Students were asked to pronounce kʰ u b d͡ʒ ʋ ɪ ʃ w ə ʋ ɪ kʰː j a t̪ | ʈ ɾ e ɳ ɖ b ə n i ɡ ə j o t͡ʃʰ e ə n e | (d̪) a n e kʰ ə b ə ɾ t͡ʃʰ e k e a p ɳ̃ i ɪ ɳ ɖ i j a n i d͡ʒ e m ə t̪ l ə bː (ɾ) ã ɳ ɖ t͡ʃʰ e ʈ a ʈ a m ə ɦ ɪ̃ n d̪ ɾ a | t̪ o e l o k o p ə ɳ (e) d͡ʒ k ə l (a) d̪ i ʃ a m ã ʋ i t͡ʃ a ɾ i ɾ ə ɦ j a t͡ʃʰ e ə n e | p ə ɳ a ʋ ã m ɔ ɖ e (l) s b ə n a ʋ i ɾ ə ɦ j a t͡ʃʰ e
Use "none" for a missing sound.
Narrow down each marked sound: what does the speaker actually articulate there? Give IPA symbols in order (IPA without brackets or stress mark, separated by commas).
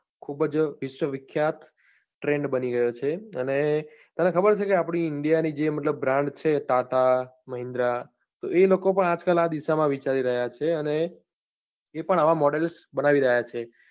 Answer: t̪, ɾ, a, a, l